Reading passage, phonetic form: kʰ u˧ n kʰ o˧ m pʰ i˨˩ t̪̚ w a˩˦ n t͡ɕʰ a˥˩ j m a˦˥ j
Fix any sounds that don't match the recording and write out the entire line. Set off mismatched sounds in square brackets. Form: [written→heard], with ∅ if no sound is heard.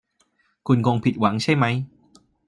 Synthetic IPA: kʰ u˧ n [kʰ→k] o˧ [m→ŋ] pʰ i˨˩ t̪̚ w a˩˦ [n→ŋ] t͡ɕʰ a˥˩ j m a˦˥ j